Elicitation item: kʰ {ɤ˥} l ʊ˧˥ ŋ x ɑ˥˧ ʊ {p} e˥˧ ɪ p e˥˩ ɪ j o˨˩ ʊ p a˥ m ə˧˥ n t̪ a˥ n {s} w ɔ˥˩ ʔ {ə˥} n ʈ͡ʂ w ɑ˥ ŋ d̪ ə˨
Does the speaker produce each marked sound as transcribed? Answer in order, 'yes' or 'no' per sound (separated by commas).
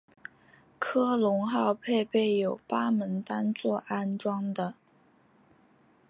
yes, no, no, no